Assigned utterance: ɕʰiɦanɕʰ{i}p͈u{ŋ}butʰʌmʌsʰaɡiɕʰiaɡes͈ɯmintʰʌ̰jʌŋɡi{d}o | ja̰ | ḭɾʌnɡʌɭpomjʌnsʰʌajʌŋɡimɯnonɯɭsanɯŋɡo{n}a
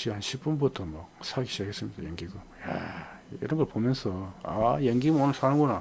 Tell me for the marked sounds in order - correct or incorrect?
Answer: correct, incorrect: n, incorrect: ɡ, correct

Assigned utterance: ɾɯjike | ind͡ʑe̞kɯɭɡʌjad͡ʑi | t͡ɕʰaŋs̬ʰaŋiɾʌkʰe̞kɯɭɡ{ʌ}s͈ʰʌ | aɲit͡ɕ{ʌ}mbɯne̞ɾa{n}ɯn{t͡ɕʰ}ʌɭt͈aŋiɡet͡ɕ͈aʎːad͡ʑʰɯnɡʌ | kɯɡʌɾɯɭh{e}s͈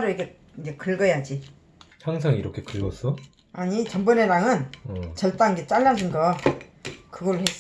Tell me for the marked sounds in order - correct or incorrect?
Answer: correct, correct, incorrect: ŋ, incorrect: t͡ɕ, correct

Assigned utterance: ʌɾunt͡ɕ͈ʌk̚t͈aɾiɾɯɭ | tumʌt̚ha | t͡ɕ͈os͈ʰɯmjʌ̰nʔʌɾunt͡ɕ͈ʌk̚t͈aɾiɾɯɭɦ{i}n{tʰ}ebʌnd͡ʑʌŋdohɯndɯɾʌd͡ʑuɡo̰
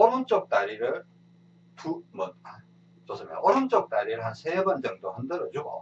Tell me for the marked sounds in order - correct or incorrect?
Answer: incorrect: a, incorrect: sʰ

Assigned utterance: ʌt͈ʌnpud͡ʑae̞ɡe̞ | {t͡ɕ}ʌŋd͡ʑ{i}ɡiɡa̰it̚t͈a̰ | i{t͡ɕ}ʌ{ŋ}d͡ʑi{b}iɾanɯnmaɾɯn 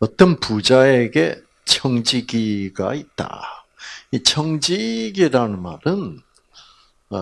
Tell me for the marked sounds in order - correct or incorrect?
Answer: incorrect: t͡ɕʰ, correct, incorrect: t͡ɕʰ, correct, incorrect: ɡ

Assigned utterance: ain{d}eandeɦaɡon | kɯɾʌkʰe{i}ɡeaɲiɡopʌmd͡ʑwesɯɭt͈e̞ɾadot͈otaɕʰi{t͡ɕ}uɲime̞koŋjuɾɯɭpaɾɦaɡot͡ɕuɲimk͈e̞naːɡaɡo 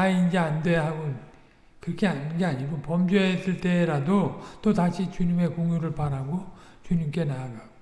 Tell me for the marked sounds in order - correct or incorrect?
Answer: incorrect: d͡ʑ, incorrect: a, correct

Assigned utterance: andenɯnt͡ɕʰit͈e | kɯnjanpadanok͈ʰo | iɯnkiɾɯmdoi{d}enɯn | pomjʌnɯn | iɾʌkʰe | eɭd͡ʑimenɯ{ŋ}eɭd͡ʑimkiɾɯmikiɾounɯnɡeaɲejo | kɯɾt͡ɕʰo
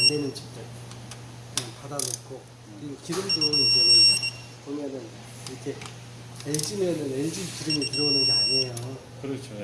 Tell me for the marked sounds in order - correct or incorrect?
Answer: incorrect: d͡ʑ, incorrect: n

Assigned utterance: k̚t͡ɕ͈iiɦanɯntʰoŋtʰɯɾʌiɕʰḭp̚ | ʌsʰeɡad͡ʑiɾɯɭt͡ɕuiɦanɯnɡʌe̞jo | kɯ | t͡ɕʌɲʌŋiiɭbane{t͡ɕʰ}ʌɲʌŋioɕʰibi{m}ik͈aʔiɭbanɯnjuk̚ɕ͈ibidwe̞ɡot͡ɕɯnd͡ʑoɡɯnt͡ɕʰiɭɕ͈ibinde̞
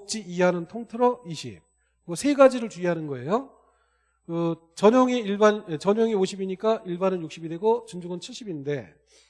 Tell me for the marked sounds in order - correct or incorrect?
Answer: incorrect: t͡ɕ, incorrect: ɲ

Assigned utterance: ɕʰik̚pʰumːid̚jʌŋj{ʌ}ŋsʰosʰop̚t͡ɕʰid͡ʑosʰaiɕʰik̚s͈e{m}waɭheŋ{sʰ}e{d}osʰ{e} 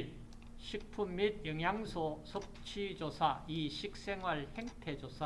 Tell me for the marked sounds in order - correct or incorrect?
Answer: incorrect: a, incorrect: ŋ, incorrect: tʰ, incorrect: d͡ʑ, incorrect: a

